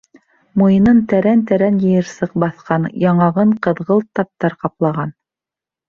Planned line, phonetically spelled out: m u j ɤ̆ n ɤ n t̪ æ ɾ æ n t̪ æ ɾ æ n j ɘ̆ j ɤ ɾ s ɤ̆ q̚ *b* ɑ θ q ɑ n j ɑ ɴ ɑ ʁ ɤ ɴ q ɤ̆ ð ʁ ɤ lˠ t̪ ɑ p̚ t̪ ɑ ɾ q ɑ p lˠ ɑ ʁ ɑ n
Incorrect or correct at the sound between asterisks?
correct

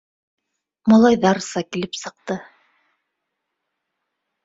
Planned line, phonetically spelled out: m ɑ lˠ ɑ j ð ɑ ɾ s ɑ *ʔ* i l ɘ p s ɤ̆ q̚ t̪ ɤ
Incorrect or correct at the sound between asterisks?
incorrect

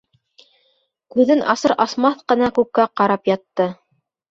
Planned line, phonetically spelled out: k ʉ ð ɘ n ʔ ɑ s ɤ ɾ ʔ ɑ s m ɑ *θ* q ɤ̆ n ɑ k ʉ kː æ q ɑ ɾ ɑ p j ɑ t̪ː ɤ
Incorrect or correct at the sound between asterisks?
correct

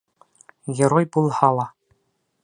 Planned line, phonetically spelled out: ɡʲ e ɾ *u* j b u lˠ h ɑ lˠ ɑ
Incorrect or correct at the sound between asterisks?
incorrect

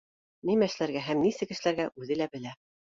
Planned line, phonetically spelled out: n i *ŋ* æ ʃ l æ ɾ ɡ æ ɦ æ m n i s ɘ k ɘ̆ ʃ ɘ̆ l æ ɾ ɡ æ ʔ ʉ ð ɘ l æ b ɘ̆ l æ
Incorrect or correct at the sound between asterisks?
incorrect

